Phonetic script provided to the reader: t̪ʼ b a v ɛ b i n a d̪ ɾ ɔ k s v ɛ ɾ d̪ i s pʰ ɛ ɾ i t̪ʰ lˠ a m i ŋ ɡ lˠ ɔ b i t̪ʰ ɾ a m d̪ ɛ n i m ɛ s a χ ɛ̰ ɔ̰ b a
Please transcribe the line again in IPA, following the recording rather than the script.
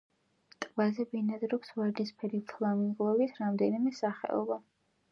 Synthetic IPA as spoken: t̪ʼ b a z ɛ b i n a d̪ ɾ ɔ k s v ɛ ɾ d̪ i s pʰ ɛ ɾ i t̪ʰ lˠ a m i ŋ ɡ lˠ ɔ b i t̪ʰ ɾ a m d̪ ɛ n i m ɛ s a χ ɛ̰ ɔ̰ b a